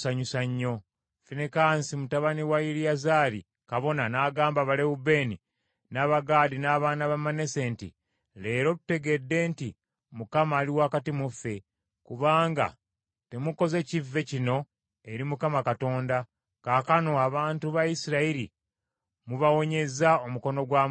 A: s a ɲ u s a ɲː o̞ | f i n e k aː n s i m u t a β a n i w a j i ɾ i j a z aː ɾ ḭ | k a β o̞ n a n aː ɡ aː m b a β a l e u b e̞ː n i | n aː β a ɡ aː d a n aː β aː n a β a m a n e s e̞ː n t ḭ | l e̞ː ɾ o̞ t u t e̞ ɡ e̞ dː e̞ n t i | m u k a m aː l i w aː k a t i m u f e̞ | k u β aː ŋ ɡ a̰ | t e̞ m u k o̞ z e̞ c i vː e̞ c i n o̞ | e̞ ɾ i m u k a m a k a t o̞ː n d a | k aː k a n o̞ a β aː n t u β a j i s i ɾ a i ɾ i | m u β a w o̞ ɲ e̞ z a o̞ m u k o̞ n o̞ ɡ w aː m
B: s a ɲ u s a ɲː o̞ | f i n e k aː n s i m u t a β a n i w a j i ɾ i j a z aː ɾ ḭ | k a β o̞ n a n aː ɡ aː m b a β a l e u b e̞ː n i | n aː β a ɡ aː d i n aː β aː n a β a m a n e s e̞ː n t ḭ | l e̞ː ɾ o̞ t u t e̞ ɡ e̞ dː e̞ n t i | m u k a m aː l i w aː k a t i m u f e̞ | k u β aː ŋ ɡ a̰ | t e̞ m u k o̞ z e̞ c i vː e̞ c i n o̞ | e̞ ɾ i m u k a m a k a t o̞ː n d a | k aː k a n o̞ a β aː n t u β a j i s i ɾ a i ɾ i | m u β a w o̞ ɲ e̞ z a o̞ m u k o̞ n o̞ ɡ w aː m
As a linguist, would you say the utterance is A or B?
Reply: B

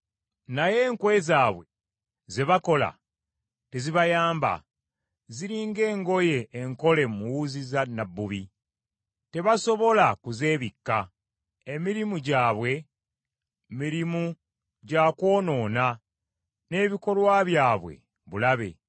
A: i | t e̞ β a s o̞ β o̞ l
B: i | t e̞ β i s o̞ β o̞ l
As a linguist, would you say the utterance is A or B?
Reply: A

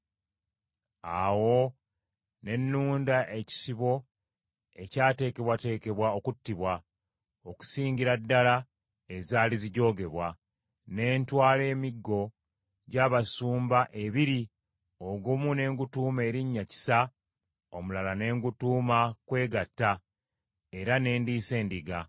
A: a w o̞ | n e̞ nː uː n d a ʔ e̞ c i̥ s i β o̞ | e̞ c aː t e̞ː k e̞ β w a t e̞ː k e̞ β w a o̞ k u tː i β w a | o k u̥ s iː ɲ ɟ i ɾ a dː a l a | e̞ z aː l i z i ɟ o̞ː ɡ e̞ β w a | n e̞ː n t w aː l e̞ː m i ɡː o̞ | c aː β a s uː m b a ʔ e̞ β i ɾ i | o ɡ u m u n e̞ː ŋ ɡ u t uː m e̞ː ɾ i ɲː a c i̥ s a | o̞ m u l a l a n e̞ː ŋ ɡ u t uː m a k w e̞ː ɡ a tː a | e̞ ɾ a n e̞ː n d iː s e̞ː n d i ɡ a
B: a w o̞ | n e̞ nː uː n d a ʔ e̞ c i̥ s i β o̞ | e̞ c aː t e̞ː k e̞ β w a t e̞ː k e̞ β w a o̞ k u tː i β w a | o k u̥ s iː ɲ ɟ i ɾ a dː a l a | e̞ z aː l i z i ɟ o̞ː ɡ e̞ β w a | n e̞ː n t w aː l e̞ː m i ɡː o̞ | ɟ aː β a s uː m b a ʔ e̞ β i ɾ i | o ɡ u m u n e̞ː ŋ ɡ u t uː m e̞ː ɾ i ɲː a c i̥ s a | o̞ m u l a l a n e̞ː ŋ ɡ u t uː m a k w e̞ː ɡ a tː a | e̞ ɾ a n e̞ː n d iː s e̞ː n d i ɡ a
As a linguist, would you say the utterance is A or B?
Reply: B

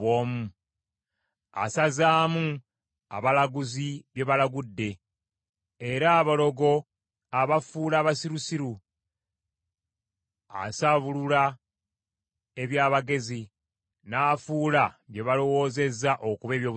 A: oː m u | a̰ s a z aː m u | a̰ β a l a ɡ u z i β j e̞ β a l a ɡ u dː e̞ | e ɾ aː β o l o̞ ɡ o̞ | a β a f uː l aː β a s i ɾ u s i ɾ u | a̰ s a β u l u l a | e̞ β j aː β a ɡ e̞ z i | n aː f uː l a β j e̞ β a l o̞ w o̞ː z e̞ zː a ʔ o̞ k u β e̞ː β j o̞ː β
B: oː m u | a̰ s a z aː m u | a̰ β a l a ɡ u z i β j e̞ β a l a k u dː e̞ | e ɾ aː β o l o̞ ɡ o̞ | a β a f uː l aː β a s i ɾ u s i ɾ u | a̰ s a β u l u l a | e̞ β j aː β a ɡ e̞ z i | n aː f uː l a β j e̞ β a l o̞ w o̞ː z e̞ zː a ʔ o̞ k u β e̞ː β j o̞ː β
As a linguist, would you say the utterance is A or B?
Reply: A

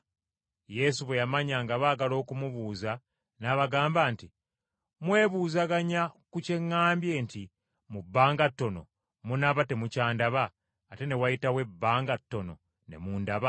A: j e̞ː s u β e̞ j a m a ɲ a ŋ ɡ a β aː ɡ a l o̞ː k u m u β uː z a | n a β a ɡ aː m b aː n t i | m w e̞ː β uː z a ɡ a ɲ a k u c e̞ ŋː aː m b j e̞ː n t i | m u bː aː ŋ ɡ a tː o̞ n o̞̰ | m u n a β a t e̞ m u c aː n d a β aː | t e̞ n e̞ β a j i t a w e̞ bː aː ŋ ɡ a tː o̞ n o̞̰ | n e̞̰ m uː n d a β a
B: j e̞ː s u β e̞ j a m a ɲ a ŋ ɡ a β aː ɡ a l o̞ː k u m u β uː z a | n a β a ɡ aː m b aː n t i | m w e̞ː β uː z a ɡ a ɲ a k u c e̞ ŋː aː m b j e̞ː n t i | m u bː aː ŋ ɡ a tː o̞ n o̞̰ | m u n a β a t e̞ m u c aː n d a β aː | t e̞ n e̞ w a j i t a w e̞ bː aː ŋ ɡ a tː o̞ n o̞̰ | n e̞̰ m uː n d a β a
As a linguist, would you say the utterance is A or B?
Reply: B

